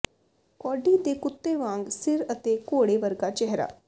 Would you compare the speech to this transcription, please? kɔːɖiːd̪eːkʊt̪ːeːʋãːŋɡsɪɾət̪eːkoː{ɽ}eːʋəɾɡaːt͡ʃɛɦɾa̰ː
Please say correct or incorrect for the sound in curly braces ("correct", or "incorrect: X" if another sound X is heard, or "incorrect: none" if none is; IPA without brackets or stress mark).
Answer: correct